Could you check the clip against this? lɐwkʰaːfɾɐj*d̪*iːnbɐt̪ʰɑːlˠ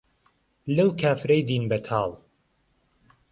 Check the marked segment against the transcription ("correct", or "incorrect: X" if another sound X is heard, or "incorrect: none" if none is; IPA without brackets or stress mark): correct